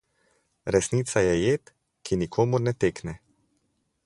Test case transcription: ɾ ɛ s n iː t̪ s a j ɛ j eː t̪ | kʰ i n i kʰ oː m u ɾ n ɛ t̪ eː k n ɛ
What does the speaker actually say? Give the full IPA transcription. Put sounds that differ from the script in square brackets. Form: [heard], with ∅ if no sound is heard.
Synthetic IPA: ɾ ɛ s n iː t̪ s a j ɛ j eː t̪ | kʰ i n i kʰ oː m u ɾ n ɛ t̪ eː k n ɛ